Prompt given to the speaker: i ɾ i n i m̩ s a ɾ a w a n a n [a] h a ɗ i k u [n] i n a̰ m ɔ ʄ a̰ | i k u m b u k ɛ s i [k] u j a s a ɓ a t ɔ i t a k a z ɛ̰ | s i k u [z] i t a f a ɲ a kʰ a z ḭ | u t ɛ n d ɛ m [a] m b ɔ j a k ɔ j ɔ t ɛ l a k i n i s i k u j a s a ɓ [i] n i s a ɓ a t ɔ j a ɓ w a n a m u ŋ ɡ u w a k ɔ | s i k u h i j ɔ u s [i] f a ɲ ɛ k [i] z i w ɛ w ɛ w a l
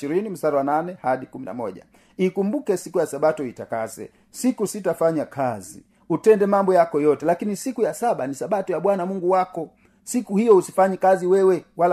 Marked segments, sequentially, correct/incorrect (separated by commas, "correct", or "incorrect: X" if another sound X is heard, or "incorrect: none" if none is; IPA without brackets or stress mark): incorrect: ɛ, incorrect: m, correct, incorrect: s, correct, incorrect: a, correct, incorrect: a